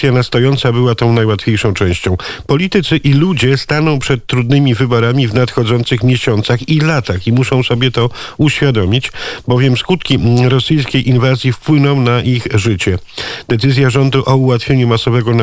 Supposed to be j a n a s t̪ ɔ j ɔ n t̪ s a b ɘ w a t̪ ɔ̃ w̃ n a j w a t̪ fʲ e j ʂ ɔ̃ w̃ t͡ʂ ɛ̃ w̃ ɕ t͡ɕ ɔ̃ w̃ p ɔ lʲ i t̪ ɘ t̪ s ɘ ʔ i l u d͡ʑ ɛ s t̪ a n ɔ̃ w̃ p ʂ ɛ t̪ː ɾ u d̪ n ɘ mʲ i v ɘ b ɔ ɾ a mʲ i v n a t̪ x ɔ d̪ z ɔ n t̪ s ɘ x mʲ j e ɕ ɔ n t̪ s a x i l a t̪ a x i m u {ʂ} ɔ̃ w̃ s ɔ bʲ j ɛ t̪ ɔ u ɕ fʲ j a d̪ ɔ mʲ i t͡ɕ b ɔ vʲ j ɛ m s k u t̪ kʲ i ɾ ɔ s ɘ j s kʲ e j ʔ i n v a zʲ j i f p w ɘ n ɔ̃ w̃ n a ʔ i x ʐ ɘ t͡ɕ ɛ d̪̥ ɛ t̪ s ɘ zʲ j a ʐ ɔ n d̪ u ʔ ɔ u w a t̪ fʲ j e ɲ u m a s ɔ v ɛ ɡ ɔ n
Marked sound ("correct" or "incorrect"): correct